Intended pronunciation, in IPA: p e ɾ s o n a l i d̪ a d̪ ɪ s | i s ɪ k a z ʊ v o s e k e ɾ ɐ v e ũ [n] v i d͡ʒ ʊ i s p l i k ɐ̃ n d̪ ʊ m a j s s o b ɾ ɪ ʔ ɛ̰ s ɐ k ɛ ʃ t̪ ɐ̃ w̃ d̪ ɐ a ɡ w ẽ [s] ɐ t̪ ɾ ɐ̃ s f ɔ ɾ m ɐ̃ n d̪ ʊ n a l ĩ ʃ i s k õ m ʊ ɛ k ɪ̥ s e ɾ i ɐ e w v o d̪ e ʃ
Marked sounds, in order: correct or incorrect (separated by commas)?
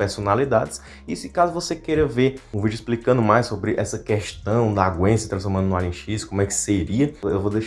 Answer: incorrect, correct